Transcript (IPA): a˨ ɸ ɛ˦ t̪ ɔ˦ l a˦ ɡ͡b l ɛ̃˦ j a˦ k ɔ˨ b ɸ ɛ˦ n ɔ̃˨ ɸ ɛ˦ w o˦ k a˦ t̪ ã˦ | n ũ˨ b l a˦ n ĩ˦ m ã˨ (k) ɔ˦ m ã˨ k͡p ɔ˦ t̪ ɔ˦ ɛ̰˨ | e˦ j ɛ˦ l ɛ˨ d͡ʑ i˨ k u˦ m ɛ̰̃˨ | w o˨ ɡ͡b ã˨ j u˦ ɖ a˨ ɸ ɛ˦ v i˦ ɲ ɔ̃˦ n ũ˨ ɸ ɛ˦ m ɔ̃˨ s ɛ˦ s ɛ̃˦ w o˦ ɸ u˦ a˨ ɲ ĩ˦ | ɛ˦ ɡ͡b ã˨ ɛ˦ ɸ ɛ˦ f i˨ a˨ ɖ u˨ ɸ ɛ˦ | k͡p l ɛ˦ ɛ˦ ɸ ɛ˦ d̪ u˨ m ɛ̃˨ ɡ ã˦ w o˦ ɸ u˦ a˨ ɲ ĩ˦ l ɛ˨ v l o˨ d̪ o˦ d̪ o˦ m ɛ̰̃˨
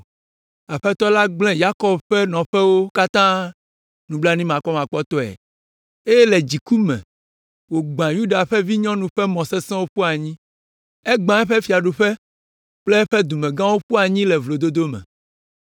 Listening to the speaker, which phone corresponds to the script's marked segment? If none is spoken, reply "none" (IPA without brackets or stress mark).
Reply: k